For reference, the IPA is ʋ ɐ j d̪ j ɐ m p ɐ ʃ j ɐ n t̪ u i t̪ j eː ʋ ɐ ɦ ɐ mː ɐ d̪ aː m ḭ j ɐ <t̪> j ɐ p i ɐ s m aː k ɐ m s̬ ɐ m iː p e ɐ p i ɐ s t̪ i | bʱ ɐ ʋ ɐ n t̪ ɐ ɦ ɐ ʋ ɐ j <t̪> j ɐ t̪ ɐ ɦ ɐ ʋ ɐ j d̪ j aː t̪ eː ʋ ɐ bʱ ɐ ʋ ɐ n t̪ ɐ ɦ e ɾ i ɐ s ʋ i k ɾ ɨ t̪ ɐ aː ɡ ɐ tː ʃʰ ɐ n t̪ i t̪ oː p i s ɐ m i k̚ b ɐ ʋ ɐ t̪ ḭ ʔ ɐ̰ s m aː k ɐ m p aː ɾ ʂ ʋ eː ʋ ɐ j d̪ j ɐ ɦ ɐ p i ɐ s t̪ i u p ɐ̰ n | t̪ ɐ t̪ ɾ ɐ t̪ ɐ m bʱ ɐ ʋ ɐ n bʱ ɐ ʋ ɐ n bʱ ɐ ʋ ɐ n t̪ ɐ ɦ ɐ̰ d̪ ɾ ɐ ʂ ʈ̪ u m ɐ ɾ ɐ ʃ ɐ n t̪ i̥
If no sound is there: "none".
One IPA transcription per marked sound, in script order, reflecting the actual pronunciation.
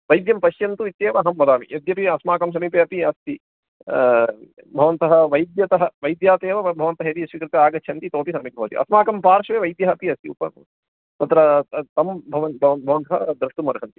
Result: d̪, d̪

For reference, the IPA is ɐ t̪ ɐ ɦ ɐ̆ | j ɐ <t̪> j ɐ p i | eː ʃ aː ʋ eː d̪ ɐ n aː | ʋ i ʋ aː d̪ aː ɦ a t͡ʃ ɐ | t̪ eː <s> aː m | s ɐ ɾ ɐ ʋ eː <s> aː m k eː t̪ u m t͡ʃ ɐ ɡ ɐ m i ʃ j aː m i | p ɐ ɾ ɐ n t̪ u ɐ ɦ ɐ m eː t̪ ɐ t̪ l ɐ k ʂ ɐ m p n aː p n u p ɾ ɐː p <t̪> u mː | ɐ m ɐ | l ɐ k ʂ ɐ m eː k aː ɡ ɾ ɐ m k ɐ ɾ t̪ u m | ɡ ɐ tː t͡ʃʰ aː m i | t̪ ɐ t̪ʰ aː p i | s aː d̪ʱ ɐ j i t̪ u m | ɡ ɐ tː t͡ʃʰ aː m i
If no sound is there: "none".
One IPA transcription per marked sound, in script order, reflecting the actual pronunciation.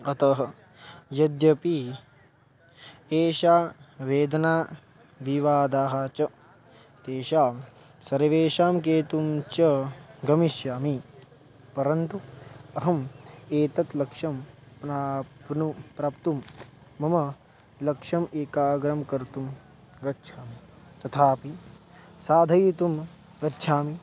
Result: d̪, ʃ, ʃ, t̪

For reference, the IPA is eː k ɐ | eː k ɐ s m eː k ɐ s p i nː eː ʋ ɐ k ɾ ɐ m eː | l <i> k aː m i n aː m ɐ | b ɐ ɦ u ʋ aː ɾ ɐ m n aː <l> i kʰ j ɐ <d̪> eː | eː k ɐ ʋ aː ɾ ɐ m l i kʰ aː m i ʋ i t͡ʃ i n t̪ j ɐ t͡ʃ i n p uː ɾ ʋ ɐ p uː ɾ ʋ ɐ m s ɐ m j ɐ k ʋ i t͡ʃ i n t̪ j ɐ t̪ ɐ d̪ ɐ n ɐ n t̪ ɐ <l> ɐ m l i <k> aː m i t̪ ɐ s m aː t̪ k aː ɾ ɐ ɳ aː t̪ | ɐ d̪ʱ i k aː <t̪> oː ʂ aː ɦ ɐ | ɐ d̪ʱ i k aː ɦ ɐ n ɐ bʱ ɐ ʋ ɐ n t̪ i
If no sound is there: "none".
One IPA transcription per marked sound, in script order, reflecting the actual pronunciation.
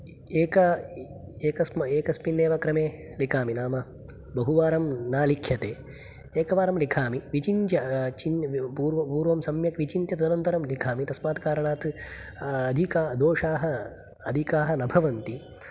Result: i, l, t̪, ɾ, kʰ, d̪

